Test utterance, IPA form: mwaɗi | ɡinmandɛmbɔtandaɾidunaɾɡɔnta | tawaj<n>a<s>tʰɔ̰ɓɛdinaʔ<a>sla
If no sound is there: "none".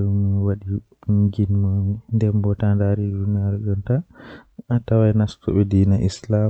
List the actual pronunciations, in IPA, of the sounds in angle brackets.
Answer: n, s, i

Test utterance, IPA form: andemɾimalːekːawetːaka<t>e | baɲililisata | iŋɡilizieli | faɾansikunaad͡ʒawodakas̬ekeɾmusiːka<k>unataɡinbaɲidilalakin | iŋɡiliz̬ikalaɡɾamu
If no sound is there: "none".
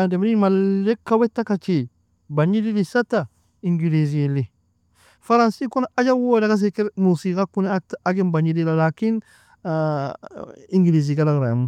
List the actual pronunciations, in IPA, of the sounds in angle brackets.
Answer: t͡ʃ, k

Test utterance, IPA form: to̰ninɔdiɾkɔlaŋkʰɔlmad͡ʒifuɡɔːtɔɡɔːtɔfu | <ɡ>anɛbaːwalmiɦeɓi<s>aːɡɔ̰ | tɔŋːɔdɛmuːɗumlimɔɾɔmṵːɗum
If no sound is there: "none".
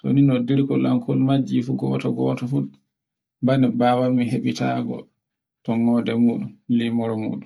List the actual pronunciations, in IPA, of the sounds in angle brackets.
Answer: b, t

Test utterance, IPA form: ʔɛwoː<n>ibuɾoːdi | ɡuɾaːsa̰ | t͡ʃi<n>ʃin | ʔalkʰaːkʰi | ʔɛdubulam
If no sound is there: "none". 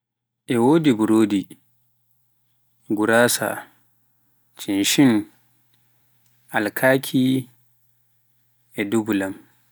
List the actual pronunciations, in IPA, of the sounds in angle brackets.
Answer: d, n

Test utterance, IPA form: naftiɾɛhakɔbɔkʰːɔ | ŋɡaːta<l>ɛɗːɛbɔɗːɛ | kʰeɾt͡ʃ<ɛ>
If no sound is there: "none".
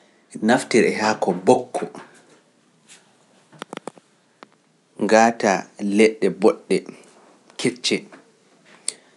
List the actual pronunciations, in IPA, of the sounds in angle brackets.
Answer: l, ɛ

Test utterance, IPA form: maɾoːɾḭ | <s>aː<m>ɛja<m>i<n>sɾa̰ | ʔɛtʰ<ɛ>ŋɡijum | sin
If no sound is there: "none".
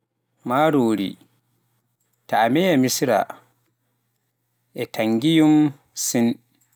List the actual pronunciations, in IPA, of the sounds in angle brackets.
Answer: t, m, m, none, a

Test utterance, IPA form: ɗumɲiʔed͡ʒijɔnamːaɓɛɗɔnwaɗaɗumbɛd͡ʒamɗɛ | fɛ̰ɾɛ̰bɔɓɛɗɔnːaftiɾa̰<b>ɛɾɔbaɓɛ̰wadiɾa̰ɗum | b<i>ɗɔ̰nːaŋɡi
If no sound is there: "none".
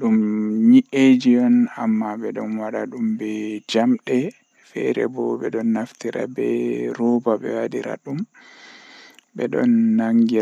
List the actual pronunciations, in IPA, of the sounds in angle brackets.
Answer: b, ɛ

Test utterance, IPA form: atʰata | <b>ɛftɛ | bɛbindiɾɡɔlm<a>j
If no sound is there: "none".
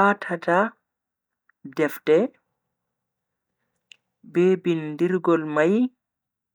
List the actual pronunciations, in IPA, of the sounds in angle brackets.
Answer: d, a

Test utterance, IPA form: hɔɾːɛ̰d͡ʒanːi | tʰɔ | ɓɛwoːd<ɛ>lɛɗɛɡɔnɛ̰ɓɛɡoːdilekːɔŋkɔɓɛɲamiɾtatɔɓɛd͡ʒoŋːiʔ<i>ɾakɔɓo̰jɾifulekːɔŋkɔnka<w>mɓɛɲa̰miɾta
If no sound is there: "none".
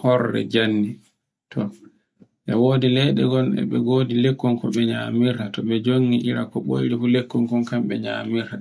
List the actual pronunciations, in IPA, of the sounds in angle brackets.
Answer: i, i, none

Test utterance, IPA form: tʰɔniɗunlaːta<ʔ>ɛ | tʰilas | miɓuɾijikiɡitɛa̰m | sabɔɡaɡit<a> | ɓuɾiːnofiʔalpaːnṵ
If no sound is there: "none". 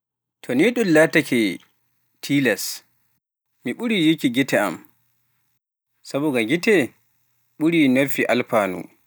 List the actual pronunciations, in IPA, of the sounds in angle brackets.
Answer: k, ɛ

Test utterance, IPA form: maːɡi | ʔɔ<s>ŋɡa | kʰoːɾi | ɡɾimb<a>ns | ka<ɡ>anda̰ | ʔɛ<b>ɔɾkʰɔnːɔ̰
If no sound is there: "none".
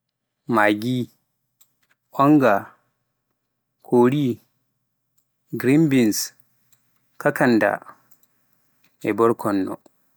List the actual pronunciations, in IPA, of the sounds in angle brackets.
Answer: none, i, k, b

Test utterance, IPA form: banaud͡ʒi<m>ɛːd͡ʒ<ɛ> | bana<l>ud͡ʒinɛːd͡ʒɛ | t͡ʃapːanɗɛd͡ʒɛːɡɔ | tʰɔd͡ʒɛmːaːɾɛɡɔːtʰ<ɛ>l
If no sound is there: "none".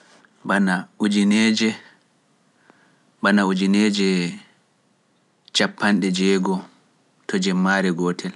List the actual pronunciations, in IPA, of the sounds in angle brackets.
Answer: n, ɛ, none, ɛ

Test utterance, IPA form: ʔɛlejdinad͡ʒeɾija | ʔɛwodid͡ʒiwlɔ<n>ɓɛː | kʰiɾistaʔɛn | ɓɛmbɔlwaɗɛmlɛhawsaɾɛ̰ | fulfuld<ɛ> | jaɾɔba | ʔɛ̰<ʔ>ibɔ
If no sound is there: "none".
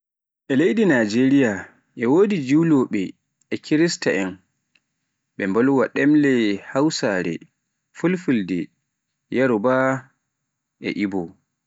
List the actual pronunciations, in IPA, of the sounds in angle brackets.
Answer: none, ɛ, ʔ

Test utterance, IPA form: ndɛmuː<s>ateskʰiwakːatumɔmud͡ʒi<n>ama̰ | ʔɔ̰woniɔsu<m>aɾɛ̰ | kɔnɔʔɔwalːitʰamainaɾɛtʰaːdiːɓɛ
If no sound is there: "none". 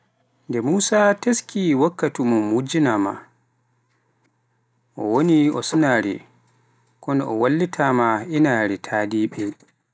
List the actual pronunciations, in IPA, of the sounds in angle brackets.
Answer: s, n, n

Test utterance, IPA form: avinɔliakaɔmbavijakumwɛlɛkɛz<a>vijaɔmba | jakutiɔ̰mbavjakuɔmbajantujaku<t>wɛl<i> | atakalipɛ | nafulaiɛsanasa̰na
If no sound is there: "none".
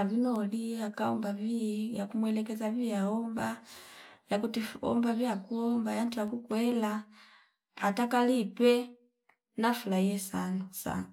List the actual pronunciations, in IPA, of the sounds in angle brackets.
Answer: a, k, a

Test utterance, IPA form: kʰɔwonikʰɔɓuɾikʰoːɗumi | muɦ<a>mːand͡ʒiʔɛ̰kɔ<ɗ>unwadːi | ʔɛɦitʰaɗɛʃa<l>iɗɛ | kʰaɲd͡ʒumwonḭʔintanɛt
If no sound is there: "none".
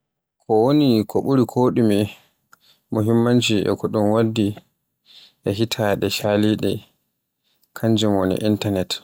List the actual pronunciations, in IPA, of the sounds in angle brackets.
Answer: i, ɗ, l

